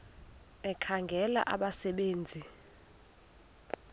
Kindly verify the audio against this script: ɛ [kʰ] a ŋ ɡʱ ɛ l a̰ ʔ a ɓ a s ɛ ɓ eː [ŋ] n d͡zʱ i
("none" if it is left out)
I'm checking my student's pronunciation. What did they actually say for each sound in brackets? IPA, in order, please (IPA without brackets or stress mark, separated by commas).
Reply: kʰ, none